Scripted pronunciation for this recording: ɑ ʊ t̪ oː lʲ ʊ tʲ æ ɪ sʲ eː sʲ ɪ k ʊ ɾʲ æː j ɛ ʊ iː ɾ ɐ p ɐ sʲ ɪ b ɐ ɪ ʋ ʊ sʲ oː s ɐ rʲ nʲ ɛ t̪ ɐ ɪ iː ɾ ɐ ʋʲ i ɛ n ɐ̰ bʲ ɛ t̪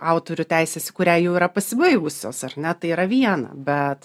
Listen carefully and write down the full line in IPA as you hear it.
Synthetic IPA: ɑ ʊ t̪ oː ɾʲ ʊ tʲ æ ɪ sʲ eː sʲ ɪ k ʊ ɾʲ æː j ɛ ʊ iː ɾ ɐ p ɐ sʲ ɪ b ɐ ɪ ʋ ʊ sʲ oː s ɐ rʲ nʲ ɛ t̪ ɐ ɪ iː ɾ ɐ ʋʲ i ɛ n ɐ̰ bʲ ɛ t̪